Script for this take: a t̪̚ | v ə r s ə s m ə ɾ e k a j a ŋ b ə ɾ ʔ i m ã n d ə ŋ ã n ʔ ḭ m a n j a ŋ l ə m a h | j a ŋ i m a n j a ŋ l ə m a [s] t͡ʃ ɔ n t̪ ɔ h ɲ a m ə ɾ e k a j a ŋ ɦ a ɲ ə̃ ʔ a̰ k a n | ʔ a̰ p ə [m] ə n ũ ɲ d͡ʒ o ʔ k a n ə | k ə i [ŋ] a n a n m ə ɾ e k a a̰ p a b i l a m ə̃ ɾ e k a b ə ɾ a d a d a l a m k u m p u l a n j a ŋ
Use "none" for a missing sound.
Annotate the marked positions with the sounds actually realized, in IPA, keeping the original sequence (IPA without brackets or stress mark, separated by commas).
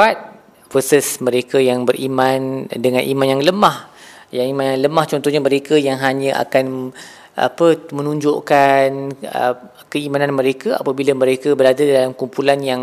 h, m, m